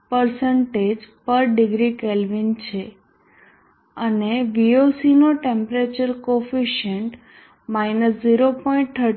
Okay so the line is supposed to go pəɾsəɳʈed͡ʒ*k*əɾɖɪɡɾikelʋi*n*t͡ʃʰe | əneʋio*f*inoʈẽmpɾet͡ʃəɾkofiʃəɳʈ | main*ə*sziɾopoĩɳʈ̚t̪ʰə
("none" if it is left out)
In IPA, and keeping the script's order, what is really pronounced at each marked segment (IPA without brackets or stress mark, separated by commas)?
p, n, s, ə